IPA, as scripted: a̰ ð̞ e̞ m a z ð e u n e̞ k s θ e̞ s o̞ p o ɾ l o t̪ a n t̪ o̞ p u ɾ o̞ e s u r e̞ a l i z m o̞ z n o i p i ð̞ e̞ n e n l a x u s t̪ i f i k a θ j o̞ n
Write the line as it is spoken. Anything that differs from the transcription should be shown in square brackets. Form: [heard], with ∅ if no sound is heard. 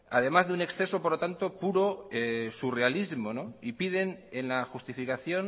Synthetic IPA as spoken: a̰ ð̞ e̞ m a z ð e u n e̞ k s θ e̞ s o̞ p o ɾ l o t̪ a n t̪ o̞ p u ɾ o̞ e s u r e̞ a l i z m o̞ [∅] n o i p i ð̞ e̞ n e n l a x u s t̪ i f i k a θ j o̞ n

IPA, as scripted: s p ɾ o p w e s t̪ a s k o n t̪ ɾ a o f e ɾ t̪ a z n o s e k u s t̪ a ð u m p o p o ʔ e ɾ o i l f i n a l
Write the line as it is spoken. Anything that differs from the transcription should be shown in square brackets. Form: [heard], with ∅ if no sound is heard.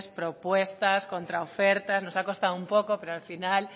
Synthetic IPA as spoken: s p ɾ o p w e s t̪ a s k o n t̪ ɾ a o f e ɾ t̪ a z n o s [a] k [o] s t̪ a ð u m p o [k] o [p] e ɾ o [a] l f i n a l

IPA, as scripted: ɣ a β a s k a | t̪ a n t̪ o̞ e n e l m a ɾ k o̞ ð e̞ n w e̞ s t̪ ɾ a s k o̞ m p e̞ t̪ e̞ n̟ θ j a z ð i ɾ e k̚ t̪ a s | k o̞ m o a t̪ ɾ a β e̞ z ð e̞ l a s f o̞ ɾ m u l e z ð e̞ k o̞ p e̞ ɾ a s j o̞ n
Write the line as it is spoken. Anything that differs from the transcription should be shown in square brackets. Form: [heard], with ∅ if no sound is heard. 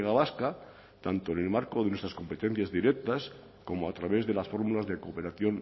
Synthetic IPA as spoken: ɣ a β a s k a | t̪ a n t̪ o̞ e n e l m a ɾ k o̞ ð e̞ n w e̞ s t̪ ɾ a s k o̞ m p e̞ t̪ e̞ n̟ θ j a z ð i ɾ e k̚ t̪ a s | k o̞ m o a t̪ ɾ a β e̞ z ð e̞ l a s f o̞ ɾ m u l [a] z ð e̞ k o̞ p e̞ ɾ a [θ] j o̞ n

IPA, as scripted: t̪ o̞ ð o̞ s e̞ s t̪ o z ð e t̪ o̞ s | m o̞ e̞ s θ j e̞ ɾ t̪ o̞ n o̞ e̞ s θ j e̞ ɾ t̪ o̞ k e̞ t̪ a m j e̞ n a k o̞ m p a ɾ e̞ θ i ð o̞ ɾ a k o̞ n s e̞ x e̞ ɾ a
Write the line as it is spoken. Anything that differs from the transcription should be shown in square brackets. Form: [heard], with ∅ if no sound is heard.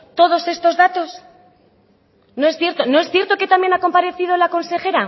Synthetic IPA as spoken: t̪ o̞ ð o̞ s e̞ s t̪ o z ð [a] t̪ o̞ s | [n] o̞ e̞ s θ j e̞ ɾ t̪ o̞ n o̞ e̞ s θ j e̞ ɾ t̪ o̞ k e̞ t̪ a m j e̞ n a k o̞ m p a ɾ e̞ θ i ð o̞ [l] a k o̞ n s e̞ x e̞ ɾ a

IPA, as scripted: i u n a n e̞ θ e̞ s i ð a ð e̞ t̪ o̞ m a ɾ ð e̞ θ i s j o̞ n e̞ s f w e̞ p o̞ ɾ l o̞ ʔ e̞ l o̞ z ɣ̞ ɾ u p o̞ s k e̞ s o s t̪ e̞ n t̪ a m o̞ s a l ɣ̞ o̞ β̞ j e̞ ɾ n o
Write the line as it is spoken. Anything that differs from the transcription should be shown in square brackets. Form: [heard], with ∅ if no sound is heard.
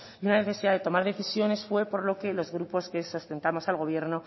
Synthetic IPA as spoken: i u n a n e̞ θ e̞ s i ð a ð e̞ t̪ o̞ m a ɾ ð e̞ θ i s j o̞ n e̞ s f w e̞ p o̞ ɾ l o̞ [k] e̞ l o̞ z ɣ̞ ɾ u p o̞ s k e̞ s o s t̪ e̞ n t̪ a m o̞ s a l ɣ̞ o̞ β̞ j e̞ ɾ n o

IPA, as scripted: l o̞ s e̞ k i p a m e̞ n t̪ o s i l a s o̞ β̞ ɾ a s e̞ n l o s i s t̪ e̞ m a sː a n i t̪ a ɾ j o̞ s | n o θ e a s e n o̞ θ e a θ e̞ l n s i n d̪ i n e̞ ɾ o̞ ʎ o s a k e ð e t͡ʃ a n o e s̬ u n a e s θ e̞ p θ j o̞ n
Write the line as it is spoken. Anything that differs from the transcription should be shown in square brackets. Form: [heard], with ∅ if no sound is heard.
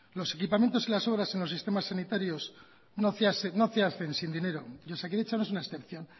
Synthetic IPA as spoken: l o̞ s e̞ k i p a m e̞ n t̪ o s i l a s o̞ β̞ ɾ a s e̞ n l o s i s t̪ e̞ m a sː a n i t̪ a ɾ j o̞ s | n o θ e a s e n o̞ θ e a θ e̞ [∅] n s i n d̪ i n e̞ ɾ o̞ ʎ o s a k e ð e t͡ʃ a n o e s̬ u n a e s θ e̞ p θ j o̞ n

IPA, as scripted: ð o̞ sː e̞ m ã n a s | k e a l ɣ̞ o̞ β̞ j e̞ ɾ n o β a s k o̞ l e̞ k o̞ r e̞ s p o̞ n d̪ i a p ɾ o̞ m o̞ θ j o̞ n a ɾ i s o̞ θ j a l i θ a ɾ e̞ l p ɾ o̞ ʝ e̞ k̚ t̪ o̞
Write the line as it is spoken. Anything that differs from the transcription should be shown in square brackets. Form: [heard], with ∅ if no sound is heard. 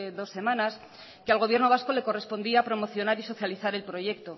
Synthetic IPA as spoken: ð o̞ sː e̞ m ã n a s | k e a l ɣ̞ o̞ β̞ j e̞ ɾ n o β a s k o̞ l e̞ k o̞ r e̞ s p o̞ n d̪ i a p ɾ o̞ m o̞ θ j o̞ n a ɾ i s o̞ θ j a l i θ a ɾ e̞ l p ɾ o̞ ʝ e̞ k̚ t̪ o̞

